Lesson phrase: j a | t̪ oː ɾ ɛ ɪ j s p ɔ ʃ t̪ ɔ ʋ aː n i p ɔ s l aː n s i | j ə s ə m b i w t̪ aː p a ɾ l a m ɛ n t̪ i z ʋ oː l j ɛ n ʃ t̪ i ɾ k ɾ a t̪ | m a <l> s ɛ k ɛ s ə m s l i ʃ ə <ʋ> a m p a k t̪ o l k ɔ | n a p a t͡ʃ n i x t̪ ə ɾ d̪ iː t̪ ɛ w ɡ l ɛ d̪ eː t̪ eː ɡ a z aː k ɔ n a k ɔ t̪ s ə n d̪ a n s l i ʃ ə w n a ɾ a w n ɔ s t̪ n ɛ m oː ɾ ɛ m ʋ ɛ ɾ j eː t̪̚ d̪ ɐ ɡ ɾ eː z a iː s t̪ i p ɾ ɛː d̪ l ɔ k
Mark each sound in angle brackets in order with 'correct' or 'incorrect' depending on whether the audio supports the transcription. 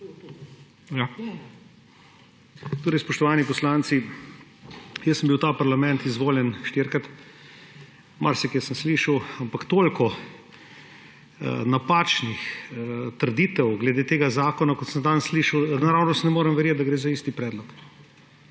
incorrect: ɾ, incorrect: w

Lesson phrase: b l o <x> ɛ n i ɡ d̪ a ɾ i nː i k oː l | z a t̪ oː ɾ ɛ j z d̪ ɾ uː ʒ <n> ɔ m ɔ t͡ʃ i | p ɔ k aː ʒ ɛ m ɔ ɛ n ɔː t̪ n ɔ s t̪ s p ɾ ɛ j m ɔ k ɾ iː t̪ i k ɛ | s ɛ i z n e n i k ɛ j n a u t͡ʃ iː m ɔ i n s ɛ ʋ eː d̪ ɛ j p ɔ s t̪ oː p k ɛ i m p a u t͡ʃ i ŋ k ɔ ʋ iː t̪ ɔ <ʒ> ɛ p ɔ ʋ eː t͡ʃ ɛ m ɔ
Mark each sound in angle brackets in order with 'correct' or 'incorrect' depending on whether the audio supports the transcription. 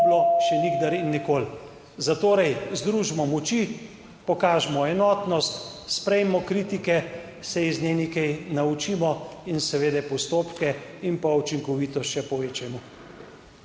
incorrect: ʃ, incorrect: m, incorrect: ʃ

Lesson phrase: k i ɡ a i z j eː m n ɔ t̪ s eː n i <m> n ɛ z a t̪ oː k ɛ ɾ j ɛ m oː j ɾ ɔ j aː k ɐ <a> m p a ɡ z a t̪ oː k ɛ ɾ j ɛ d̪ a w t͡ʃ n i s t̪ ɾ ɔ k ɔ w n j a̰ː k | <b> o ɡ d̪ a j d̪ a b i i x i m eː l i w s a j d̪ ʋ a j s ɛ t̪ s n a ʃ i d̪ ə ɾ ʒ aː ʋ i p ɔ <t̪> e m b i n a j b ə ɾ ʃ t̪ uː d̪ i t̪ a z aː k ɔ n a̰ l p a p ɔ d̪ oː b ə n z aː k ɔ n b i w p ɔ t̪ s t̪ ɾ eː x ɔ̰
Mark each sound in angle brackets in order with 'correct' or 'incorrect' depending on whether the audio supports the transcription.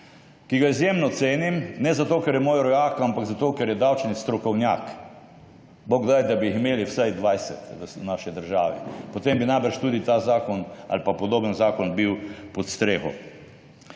correct, correct, correct, correct

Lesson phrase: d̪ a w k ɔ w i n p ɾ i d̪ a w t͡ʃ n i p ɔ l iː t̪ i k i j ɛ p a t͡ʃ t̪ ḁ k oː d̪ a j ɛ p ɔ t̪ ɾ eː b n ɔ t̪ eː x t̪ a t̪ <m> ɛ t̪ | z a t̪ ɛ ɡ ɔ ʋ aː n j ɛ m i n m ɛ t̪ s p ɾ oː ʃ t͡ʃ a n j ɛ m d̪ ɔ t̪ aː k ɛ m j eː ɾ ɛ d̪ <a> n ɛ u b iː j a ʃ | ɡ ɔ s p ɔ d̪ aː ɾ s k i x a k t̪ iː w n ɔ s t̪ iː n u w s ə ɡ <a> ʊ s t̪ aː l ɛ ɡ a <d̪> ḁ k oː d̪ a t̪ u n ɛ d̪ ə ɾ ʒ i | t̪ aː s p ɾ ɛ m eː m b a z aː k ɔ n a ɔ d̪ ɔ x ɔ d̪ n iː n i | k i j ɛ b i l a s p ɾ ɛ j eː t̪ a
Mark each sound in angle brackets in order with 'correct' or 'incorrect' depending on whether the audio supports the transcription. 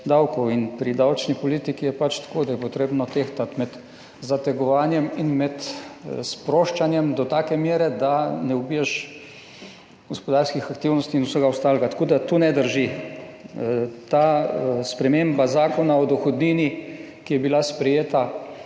correct, correct, correct, incorrect: t̪

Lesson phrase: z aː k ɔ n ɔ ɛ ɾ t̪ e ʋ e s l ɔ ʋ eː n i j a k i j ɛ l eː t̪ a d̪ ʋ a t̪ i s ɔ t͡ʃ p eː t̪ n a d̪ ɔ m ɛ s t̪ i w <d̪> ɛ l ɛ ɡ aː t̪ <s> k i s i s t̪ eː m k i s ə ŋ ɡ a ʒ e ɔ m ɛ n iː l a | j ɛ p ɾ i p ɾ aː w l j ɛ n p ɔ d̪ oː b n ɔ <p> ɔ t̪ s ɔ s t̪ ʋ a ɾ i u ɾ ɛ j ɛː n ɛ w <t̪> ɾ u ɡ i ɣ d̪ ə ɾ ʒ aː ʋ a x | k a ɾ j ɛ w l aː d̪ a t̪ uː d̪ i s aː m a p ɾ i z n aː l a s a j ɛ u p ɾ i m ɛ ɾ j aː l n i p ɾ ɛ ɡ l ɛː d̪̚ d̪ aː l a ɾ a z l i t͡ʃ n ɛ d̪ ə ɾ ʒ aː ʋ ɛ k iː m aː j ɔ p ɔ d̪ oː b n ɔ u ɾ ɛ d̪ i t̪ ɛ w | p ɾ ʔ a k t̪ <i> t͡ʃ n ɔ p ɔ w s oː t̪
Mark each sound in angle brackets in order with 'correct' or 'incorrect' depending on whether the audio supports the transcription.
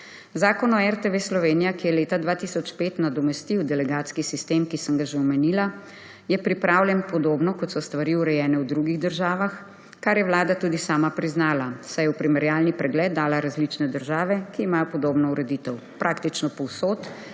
correct, correct, incorrect: k, incorrect: d̪, correct

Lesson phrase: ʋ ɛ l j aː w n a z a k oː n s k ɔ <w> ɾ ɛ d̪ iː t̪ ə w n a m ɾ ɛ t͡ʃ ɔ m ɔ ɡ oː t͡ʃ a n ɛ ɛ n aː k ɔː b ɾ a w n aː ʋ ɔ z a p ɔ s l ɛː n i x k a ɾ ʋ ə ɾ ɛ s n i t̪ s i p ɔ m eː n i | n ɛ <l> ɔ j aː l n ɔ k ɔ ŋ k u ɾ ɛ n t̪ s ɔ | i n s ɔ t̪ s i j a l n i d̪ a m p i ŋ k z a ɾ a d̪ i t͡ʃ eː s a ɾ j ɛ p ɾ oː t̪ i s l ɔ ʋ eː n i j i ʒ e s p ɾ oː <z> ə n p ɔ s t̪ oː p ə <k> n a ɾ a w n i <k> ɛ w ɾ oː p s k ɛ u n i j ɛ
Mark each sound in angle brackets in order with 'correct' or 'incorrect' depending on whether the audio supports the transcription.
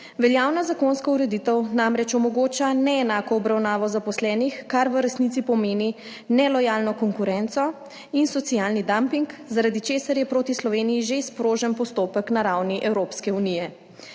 incorrect: u, correct, incorrect: ʒ, correct, incorrect: ʔ

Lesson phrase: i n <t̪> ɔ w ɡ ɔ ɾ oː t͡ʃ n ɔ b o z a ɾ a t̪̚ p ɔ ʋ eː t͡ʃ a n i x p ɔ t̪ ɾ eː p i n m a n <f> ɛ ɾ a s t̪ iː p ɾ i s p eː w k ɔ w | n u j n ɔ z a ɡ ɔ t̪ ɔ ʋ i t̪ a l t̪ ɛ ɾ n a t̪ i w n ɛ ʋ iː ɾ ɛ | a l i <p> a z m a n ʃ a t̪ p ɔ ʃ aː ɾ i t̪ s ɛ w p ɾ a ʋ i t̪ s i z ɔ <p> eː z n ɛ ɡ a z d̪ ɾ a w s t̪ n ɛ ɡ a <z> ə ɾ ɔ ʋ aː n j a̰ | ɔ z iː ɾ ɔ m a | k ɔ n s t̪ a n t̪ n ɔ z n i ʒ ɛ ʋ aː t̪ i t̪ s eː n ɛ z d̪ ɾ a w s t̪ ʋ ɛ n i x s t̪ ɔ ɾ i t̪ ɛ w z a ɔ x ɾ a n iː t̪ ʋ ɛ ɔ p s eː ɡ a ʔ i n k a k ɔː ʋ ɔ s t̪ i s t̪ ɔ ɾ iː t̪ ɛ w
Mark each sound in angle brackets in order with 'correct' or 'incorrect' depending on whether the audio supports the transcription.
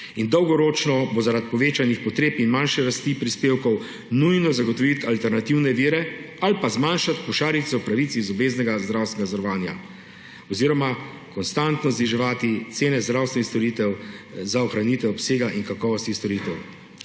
incorrect: d̪, incorrect: ʃ, correct, incorrect: b, correct

